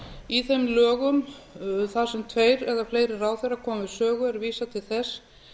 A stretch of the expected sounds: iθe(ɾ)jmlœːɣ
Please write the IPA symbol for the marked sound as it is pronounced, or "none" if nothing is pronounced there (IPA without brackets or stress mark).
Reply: none